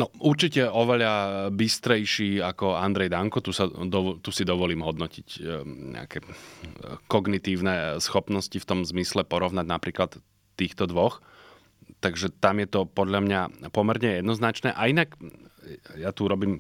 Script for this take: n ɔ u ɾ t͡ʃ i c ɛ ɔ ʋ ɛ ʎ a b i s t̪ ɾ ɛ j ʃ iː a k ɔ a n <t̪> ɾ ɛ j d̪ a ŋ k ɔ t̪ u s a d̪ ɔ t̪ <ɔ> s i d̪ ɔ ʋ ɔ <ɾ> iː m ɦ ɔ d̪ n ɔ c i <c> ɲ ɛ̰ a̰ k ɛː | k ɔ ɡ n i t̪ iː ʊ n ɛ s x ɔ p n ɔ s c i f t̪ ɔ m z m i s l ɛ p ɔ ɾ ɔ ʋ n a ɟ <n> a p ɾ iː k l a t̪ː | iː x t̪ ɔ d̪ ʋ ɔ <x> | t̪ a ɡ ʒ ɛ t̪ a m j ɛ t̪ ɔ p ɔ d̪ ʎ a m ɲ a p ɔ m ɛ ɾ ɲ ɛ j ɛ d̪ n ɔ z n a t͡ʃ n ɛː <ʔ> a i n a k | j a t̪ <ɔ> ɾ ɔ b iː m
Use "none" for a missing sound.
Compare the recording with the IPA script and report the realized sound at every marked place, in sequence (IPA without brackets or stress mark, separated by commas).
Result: d̪, u, l, c, n, x, ʔ, u